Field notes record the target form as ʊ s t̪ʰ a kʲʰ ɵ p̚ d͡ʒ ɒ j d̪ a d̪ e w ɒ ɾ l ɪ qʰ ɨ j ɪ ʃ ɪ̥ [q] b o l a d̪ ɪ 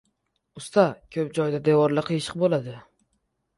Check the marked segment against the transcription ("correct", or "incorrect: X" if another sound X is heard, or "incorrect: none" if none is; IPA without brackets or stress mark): correct